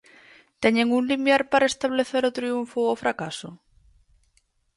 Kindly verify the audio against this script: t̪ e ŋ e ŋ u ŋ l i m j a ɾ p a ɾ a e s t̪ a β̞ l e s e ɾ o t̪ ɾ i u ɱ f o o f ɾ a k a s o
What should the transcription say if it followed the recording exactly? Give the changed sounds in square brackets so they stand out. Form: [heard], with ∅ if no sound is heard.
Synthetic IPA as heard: t̪ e [ɲ] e ŋ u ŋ l i m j a ɾ p a ɾ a e s t̪ a β̞ l e [θ] e ɾ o t̪ ɾ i u ɱ f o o f ɾ a k a s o